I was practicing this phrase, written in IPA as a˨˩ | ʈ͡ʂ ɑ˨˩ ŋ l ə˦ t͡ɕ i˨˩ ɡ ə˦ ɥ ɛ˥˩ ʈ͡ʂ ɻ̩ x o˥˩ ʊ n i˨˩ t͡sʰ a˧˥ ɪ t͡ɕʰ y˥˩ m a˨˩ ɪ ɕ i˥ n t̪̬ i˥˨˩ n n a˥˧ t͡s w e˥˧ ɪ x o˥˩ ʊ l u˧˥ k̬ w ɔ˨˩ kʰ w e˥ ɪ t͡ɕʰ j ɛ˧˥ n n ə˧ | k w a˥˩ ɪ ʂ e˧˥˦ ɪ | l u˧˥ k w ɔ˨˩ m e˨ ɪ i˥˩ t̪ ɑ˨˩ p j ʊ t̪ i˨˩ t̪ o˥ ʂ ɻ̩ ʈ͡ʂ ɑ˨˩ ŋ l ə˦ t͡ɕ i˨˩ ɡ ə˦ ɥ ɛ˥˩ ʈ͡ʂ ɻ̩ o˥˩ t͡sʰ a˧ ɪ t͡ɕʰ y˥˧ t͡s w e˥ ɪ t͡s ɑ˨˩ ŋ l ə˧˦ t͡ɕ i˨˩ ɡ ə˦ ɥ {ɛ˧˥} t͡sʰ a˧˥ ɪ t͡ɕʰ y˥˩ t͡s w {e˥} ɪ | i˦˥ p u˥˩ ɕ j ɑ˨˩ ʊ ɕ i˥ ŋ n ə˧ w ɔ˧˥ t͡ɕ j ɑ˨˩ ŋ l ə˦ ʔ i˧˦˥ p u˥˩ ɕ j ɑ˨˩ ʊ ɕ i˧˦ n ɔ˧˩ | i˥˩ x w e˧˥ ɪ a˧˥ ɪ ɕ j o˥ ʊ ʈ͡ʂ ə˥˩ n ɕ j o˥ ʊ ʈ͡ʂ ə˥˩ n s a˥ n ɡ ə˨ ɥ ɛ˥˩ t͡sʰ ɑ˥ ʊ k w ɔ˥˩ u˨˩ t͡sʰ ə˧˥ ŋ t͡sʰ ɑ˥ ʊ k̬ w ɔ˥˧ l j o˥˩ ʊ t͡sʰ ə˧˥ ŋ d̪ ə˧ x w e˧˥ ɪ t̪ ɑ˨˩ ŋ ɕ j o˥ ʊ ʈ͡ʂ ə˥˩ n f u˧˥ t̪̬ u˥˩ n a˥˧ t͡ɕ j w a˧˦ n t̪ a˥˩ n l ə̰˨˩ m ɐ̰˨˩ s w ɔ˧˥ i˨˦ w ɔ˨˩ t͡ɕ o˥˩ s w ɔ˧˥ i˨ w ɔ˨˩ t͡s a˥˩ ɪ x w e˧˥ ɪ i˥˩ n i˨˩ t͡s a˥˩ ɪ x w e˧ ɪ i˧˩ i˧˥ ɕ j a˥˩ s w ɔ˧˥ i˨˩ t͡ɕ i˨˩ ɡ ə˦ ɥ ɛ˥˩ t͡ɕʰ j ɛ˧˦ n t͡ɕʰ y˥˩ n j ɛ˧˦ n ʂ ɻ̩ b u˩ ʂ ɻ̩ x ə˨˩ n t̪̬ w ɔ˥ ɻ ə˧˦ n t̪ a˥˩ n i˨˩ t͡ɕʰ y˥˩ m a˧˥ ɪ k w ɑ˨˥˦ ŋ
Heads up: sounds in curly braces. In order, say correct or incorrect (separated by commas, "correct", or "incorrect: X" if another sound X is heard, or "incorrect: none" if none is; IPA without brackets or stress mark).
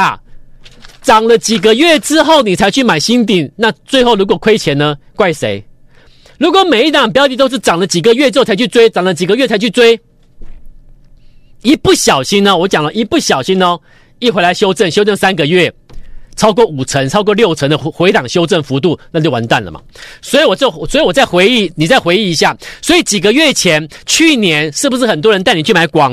incorrect: ɛ˥˩, correct